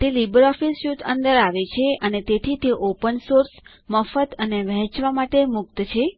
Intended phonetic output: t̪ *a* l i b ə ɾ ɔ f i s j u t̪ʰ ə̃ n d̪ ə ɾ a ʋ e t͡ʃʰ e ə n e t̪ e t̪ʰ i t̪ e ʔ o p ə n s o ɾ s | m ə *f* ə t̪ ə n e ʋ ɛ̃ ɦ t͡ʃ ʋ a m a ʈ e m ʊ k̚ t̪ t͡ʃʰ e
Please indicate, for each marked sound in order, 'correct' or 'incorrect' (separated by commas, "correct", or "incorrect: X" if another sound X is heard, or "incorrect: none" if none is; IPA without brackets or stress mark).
incorrect: e, correct